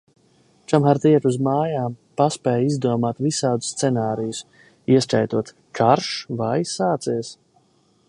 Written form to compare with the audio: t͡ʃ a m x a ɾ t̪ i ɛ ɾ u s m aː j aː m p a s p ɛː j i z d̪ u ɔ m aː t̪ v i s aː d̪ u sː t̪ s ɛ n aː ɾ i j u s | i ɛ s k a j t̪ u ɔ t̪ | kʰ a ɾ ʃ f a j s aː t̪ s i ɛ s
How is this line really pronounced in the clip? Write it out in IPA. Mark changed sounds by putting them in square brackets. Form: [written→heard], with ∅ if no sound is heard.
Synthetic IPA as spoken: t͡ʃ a m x a ɾ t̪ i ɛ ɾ u [s→z] m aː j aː m p a s p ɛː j i z d̪ u ɔ m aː t̪ v i s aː d̪ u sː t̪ s ɛ n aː ɾ i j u s | i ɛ s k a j t̪ u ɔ t̪ | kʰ a ɾ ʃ [f→v] a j s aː t̪ s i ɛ s